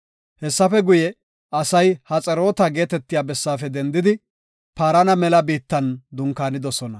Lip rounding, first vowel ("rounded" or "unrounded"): unrounded